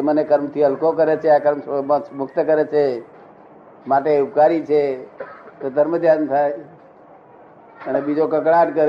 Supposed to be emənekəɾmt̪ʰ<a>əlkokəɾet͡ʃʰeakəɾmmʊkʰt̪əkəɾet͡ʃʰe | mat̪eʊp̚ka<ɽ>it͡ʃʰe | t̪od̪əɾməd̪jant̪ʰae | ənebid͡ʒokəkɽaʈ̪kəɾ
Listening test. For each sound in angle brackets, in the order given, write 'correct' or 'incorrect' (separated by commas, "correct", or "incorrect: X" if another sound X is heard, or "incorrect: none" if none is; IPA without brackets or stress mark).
incorrect: i, incorrect: ɾ